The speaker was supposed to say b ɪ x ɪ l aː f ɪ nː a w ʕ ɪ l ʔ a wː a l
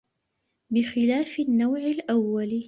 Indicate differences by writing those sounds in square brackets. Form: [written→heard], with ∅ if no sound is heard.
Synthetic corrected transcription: b ɪ x ɪ l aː f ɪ nː a w ʕ ɪ l ʔ a wː a l

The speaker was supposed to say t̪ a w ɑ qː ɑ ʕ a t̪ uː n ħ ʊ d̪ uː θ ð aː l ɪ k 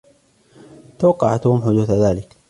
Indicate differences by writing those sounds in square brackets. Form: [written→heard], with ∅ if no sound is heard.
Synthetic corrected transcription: t̪ a w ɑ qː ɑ ʕ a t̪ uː [n→m] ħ ʊ d̪ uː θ ð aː l ɪ k

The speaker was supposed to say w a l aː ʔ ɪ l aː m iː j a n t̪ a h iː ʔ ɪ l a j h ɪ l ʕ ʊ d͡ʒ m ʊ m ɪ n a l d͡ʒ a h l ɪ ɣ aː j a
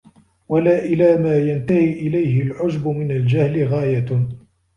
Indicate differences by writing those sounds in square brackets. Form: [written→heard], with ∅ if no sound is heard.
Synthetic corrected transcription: w a l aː ʔ ɪ l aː m [iː→aː] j a n t̪ a h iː ʔ ɪ l a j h ɪ l ʕ ʊ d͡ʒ [m→b] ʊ m ɪ n a l d͡ʒ a h l ɪ ɣ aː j a

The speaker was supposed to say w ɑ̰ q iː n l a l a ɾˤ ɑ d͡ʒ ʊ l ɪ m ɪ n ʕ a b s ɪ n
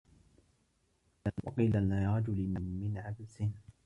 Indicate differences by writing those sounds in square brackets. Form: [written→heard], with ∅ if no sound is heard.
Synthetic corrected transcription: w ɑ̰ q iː [n→∅] l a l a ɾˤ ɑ d͡ʒ ʊ l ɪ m ɪ n ʕ a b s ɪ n

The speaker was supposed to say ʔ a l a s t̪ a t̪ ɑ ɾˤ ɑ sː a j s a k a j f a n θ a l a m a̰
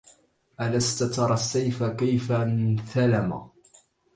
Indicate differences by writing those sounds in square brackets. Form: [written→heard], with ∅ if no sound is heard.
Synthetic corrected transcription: ʔ a l a s t̪ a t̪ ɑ ɾˤ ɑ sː a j [s→f] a k a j f a n θ a l a m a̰

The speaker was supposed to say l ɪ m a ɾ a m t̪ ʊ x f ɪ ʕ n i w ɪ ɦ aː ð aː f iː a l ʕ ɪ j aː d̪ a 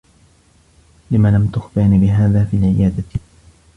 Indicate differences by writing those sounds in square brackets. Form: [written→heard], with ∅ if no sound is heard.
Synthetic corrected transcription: l ɪ m a [ɾ→l] a m t̪ ʊ x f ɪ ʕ n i [w→b] ɪ ɦ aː ð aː f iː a l ʕ ɪ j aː d̪ a

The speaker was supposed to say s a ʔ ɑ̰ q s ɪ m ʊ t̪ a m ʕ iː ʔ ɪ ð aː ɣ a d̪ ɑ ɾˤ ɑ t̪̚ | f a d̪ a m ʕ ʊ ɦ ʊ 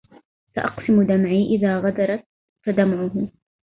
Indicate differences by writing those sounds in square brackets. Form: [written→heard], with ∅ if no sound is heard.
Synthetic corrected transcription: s a ʔ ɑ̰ q s ɪ m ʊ [t̪→d̪] a m ʕ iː ʔ ɪ ð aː ɣ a d̪ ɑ ɾˤ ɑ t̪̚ | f a d̪ a m ʕ ʊ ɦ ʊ

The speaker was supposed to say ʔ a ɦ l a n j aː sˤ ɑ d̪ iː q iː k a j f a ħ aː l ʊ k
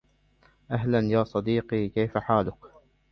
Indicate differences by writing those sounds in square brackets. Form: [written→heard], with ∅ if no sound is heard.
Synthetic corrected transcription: ʔ a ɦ l a n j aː sˤ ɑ d̪ iː q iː k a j f a ħ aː l ʊ k

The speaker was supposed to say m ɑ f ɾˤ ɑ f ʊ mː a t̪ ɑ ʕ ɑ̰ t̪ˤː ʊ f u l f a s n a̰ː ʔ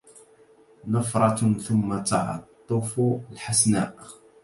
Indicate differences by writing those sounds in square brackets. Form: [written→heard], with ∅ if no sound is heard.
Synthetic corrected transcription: [m→n] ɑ f ɾˤ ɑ [f→θ] ʊ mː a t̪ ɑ ʕ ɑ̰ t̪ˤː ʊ f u l [f→ħ] a s n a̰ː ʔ

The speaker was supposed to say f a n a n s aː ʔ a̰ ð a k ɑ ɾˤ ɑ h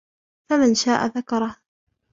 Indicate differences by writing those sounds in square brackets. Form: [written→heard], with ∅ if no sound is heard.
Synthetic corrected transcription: f a [n→m] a n [s→ʃ] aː ʔ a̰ ð a k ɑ ɾˤ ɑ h

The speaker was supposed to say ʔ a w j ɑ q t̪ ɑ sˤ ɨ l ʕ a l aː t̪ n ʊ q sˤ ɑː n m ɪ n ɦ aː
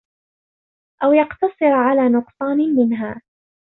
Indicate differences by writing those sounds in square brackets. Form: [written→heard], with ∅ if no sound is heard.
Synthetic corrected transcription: ʔ a w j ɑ q t̪ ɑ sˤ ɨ [l→ɾ] ʕ a l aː [t̪→∅] n ʊ q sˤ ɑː n m ɪ n ɦ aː

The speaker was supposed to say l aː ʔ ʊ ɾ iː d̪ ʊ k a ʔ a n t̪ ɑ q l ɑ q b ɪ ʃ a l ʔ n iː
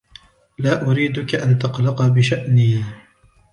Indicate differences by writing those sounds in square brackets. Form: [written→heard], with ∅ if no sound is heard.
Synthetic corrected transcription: l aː ʔ ʊ ɾ iː d̪ ʊ k a ʔ a n t̪ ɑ q l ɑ q b ɪ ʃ a [l→∅] ʔ n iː

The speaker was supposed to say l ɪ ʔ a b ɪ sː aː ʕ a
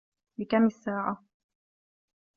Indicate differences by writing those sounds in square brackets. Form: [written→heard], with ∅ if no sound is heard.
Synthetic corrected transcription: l ɪ [ʔ→k] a [b→m] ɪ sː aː ʕ a

